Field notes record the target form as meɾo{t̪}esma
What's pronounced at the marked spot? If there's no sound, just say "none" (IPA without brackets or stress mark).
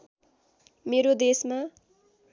d̪